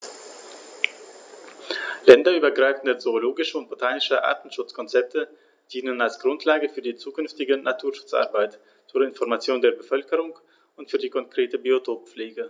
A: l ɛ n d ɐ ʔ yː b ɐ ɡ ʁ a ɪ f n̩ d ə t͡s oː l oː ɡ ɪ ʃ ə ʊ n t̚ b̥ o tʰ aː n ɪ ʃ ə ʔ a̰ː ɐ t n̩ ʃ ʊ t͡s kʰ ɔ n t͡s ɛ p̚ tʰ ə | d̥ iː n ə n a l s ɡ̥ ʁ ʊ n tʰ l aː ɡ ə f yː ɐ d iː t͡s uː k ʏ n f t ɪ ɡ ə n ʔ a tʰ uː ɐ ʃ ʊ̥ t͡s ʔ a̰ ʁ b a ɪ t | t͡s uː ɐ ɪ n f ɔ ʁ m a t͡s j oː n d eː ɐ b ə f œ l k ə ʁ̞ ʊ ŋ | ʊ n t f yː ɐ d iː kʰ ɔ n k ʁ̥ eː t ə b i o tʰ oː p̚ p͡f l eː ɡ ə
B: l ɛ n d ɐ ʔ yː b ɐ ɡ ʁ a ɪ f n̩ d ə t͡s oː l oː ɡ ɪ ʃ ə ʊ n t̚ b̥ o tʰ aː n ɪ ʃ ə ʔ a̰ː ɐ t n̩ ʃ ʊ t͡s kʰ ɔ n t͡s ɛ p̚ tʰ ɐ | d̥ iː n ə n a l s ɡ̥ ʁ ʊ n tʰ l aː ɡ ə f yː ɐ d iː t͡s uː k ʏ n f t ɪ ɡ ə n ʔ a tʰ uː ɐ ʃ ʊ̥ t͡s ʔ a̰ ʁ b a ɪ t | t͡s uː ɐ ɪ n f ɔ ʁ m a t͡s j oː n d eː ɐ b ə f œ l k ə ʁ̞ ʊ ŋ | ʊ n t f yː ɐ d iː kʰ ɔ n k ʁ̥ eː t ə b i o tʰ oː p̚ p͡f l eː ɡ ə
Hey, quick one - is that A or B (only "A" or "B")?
A